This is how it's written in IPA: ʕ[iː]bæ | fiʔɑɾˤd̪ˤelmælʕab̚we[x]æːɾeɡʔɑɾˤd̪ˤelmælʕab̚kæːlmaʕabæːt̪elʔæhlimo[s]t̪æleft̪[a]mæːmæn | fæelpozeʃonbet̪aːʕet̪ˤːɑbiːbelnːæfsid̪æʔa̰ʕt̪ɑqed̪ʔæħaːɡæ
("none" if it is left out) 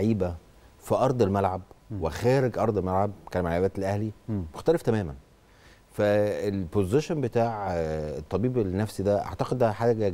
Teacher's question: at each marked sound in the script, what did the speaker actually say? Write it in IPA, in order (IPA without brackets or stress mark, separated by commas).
iː, x, x, æ